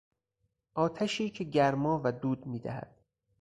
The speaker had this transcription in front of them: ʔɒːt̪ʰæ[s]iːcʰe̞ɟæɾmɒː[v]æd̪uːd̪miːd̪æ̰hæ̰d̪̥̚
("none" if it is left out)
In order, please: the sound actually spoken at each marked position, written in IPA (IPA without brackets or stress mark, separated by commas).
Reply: ʃ, v